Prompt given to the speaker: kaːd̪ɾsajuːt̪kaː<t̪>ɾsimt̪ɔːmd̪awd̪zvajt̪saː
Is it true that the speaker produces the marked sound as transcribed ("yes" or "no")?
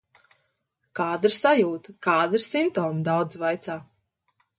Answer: no